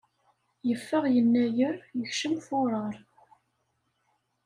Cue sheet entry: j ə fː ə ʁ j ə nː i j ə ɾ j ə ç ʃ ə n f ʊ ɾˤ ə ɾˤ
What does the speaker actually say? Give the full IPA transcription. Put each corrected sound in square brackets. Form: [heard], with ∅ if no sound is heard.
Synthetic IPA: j ə fː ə ʁ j ə nː [æ] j ə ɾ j ə ç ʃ ə [m] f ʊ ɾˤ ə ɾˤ

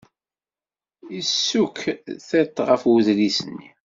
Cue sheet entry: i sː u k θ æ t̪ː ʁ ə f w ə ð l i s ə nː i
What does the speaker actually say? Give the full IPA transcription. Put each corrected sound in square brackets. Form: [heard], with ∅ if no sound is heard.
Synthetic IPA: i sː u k θ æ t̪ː ʁ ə f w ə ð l i s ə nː i

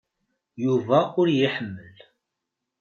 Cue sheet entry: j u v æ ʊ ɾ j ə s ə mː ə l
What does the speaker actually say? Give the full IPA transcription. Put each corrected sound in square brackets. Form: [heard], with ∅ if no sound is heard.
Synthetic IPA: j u v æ ʊ ɾ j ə [ħ] ə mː ə l

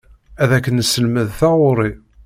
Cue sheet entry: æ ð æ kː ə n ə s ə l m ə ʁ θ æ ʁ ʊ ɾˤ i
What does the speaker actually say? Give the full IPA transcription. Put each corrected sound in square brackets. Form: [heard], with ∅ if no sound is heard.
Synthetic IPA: æ ð æ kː ə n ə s ə l m ə [ð] θ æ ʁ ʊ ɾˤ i

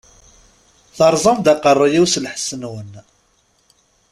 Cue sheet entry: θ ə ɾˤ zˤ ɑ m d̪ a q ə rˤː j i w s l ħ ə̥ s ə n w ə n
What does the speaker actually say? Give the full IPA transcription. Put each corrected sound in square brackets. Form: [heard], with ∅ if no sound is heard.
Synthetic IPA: θ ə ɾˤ zˤ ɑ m d̪ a q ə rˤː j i w s l ħ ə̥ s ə n w ə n

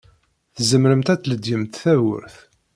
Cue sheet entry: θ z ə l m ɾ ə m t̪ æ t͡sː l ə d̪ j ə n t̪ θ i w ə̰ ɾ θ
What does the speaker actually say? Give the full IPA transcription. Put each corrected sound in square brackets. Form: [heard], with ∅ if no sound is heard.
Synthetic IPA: θ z ə [∅] m ɾ ə m t̪ æ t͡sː l ə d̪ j ə [m] t̪ θ [æ] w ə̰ ɾ θ

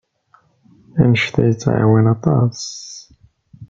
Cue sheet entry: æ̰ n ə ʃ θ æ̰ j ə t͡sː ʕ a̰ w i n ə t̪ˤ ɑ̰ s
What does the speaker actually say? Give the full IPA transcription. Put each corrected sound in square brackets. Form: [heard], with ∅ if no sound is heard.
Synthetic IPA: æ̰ n ə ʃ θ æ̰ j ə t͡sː ʕ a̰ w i n [ɑ] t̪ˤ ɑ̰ s

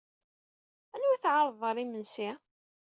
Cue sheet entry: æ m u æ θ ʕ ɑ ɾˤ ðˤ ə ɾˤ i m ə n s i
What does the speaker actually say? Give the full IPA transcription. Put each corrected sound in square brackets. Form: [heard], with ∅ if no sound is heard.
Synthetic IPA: æ [n] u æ θ ʕ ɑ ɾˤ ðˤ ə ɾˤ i m ə n s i

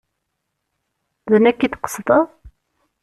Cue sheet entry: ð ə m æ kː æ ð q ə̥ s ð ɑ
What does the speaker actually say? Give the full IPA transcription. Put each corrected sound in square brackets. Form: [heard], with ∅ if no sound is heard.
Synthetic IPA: ð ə [n] æ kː [i] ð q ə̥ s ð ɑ

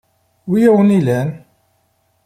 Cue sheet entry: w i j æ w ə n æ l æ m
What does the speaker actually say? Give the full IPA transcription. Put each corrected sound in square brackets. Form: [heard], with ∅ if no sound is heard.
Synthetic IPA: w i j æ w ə n [i] l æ [n]

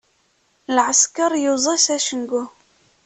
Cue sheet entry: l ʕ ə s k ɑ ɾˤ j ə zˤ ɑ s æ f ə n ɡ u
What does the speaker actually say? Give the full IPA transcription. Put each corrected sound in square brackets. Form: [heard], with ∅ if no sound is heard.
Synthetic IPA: l ʕ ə s k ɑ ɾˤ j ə zˤ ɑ s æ [ʃ] ə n ɡ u

